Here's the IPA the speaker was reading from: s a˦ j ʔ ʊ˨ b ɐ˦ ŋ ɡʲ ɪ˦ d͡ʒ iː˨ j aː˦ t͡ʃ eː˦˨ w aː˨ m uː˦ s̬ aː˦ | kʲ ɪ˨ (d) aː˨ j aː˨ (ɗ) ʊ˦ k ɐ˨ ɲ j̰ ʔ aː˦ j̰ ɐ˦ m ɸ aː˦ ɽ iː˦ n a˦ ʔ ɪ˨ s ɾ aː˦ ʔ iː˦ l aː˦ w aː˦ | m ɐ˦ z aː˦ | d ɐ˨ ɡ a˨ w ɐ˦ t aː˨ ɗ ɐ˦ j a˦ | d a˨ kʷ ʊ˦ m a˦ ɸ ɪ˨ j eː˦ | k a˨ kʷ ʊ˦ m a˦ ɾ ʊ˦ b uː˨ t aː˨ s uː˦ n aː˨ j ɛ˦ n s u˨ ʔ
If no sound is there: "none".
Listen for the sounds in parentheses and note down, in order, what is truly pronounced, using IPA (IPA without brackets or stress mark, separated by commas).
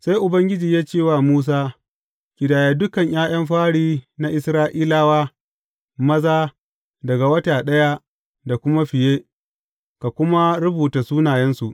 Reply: d, d